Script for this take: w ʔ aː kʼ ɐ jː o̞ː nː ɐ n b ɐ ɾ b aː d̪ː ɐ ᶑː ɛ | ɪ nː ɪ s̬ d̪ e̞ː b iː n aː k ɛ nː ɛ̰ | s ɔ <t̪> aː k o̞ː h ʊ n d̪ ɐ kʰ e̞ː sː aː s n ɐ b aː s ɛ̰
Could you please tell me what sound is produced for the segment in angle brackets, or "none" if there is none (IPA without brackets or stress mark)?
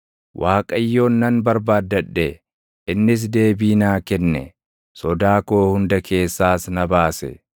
d̪